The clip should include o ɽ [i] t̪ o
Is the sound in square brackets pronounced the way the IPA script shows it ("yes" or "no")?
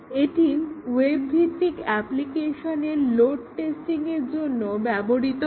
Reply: yes